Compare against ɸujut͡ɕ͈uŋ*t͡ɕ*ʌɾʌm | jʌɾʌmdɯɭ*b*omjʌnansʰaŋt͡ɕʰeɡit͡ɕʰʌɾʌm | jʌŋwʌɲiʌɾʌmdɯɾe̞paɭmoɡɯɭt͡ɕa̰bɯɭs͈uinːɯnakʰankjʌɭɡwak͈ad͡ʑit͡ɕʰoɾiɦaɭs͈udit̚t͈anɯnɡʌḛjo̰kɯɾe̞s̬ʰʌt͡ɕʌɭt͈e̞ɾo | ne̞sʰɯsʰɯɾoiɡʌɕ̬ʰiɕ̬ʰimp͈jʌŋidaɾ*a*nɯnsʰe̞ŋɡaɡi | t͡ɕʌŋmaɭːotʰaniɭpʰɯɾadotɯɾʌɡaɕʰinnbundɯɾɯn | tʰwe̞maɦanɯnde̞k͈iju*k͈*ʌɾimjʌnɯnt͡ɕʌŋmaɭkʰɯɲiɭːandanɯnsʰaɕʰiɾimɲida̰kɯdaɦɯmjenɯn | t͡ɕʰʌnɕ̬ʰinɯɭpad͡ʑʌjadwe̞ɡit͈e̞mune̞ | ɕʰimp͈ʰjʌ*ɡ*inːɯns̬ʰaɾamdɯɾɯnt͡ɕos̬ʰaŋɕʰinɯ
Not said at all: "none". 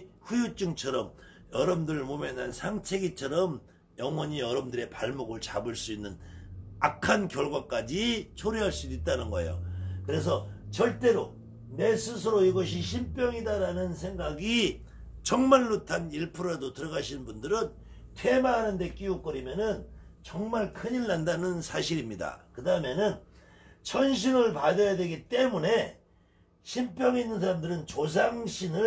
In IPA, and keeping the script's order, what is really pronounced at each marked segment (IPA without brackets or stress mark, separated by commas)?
t͡ɕʰ, m, a, k͈, ŋ